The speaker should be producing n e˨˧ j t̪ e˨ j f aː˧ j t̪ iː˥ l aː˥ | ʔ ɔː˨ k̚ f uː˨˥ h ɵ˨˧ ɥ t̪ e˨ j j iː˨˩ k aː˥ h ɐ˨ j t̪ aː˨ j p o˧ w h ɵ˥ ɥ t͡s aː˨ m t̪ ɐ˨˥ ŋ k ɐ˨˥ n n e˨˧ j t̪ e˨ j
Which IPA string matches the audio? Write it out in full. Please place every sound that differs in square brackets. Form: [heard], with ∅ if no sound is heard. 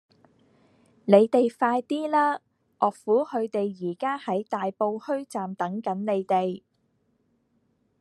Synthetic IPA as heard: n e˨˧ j t̪ e˨ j f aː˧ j t̪ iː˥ l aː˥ | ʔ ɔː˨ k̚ f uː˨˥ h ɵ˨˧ ɥ t̪ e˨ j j iː˨˩ k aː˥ h [ɐ˨˥] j t̪ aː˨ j p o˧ w h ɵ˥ ɥ t͡s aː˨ m t̪ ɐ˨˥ ŋ k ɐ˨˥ n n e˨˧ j t̪ e˨ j